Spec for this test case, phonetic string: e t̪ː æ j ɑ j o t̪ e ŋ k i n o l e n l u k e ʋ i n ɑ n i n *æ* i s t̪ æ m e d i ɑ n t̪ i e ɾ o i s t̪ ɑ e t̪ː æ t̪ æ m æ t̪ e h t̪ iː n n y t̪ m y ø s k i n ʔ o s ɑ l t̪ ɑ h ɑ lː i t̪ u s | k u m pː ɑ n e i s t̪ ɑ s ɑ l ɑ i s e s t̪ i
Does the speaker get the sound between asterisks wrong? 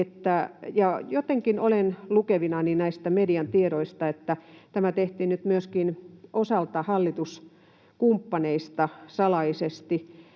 no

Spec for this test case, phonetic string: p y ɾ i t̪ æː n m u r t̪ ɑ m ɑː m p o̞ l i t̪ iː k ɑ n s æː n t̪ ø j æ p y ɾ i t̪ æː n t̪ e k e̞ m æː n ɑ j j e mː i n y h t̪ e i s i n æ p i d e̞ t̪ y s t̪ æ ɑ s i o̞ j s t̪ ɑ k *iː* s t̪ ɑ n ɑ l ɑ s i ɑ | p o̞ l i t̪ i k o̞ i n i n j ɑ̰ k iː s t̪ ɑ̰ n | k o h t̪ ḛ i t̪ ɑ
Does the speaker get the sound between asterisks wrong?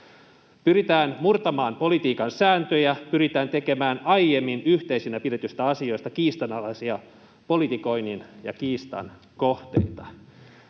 no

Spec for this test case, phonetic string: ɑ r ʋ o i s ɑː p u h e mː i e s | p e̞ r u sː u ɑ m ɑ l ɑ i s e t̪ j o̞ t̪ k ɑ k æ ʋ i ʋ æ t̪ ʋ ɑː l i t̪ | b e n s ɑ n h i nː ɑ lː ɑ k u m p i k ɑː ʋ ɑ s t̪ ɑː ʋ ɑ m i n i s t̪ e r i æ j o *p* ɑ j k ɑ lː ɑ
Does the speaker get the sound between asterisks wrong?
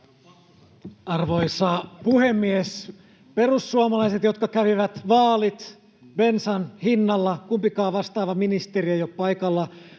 no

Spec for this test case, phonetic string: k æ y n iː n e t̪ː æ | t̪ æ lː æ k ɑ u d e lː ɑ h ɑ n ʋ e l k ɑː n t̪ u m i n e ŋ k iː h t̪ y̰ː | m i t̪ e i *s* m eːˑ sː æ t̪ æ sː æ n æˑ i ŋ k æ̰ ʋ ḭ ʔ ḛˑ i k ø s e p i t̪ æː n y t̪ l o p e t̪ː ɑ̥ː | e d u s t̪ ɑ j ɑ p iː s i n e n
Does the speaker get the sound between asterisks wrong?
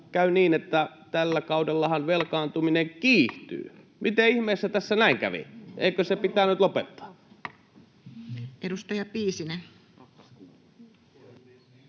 yes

